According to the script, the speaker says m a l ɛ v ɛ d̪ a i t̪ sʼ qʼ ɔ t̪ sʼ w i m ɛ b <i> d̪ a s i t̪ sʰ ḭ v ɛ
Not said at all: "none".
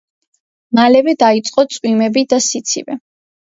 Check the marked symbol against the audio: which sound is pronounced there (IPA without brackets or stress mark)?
i